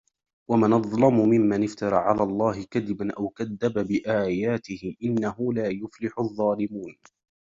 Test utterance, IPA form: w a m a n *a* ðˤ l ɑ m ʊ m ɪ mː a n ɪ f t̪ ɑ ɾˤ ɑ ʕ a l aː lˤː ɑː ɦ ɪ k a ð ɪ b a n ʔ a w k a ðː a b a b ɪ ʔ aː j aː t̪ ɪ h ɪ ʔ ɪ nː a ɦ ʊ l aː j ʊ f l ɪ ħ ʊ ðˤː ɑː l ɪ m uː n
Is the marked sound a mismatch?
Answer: yes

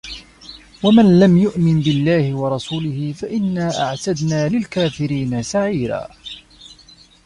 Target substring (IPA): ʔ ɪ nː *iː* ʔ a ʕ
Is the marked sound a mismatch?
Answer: yes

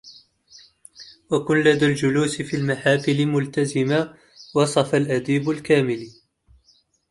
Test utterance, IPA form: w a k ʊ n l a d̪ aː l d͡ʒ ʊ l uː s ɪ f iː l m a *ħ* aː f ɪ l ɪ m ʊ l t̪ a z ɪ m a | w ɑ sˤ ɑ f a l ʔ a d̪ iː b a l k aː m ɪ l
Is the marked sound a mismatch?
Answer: no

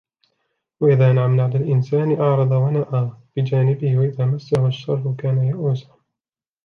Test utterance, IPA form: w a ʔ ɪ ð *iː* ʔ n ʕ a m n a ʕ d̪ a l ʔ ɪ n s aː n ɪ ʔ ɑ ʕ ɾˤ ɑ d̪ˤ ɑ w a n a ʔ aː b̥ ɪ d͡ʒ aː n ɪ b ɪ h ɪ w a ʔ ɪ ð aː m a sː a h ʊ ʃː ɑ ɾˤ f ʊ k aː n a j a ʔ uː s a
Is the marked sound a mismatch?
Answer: yes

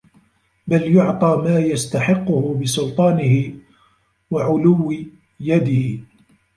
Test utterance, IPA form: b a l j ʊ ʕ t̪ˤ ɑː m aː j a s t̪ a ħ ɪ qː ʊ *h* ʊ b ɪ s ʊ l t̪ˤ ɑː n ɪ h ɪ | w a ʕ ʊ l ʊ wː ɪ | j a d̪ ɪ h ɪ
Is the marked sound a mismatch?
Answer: no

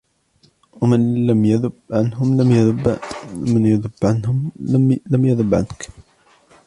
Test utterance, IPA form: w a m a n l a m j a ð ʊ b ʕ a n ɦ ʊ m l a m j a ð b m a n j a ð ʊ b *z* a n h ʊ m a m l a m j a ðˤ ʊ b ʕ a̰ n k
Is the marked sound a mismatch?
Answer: yes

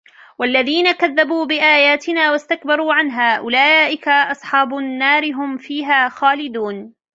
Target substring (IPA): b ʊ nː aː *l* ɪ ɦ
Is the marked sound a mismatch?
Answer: yes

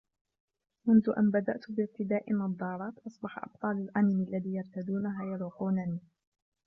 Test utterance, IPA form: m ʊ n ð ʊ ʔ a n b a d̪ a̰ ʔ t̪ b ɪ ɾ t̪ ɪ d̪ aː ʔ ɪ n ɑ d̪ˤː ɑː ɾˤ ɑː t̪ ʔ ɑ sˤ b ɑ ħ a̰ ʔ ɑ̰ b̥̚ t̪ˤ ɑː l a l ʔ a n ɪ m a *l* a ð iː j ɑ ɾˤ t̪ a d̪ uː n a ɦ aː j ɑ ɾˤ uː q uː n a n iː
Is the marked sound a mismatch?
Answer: yes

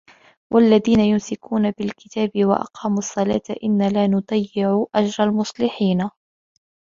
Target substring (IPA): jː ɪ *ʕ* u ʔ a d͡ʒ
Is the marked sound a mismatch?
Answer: no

